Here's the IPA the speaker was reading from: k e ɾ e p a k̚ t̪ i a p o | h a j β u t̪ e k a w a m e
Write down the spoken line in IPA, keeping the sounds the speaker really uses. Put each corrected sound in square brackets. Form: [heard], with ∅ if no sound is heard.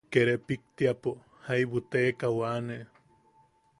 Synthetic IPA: k e ɾ e p [i] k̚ t̪ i a p o | h a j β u t̪ e k a w a [n] e